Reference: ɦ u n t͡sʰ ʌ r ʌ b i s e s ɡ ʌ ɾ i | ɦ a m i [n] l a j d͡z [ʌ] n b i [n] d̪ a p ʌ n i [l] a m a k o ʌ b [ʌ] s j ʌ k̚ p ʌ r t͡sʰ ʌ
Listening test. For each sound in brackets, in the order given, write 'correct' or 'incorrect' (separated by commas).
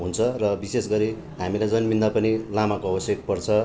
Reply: incorrect, correct, correct, correct, correct